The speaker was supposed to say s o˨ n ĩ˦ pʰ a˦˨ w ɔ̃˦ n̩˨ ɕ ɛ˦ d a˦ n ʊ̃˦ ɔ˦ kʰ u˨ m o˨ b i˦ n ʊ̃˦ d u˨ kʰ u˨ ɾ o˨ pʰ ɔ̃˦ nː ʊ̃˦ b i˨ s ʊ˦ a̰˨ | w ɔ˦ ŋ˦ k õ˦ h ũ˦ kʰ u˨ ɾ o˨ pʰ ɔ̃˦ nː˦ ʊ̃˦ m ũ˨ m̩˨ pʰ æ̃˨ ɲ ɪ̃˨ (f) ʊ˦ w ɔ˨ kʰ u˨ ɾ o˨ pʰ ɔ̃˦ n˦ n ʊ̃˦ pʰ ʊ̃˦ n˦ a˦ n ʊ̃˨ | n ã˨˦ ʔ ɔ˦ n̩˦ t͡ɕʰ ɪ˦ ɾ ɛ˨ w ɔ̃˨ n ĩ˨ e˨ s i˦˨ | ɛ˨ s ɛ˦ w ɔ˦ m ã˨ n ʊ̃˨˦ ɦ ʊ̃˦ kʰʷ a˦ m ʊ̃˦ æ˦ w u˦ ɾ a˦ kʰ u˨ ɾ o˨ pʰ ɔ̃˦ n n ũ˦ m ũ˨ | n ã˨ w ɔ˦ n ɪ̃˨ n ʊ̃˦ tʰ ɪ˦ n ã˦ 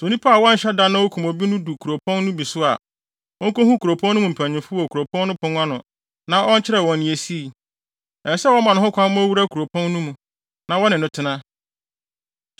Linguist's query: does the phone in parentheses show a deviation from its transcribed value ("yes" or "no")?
no